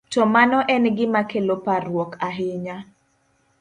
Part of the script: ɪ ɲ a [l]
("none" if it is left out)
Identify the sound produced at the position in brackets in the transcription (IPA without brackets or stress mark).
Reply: none